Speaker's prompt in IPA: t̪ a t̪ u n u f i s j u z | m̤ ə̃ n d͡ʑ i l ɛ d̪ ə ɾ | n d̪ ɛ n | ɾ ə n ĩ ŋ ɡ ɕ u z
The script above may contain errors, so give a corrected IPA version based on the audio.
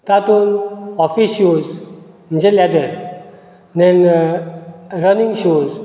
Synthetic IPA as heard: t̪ a t̪ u n ɔ f i s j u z | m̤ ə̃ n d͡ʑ e l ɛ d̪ ə ɾ | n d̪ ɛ n | ɾ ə n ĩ ŋ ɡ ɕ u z